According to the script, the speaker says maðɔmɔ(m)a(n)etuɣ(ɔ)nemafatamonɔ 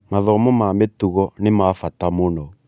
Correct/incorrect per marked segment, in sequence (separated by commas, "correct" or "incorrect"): correct, incorrect, correct